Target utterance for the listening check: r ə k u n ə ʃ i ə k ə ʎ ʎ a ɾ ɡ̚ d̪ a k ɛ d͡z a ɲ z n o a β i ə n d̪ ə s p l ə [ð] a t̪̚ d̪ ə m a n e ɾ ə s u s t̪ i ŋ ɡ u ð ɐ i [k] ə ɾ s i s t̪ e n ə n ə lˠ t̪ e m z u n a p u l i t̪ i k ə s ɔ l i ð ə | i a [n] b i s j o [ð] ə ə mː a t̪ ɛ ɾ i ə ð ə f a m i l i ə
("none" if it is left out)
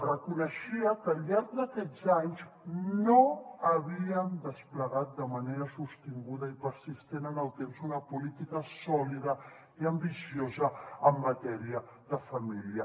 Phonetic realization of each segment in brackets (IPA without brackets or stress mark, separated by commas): ɣ, p, m, z